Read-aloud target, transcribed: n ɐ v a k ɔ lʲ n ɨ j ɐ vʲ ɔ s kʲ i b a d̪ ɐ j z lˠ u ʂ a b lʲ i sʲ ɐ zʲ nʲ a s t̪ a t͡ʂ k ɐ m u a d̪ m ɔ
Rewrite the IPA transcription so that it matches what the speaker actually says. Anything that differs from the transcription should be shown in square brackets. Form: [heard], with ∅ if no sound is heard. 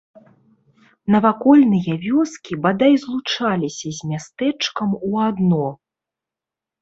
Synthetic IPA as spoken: n ɐ v a k ɔ lʲ n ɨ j ɐ vʲ ɔ s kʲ i b a d̪ [a] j z lˠ u [t͡ʂ] a [∅] lʲ i sʲ ɐ zʲ [mʲ] a s t̪ [ɛ] t͡ʂ k ɐ m u a d̪ [n] ɔ